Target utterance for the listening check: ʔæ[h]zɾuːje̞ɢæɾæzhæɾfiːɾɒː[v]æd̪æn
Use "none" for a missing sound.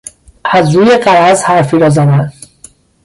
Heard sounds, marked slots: none, z

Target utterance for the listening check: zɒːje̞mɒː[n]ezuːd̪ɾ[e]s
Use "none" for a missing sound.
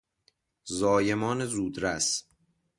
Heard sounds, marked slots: n, æ

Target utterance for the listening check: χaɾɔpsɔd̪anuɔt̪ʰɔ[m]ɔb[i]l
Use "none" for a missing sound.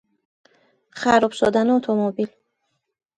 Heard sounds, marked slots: m, i

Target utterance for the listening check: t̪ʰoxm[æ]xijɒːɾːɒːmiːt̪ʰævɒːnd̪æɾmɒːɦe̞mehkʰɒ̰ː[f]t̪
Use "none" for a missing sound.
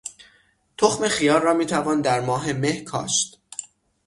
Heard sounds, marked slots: e, ʃ

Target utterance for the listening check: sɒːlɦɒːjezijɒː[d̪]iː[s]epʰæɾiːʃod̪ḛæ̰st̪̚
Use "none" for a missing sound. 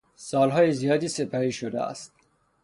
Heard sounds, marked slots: d̪, s

